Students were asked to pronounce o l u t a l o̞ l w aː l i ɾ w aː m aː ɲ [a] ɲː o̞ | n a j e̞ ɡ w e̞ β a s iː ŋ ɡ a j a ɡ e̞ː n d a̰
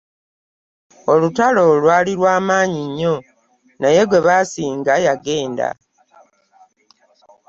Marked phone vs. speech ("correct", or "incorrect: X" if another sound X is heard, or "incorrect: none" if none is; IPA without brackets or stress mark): incorrect: i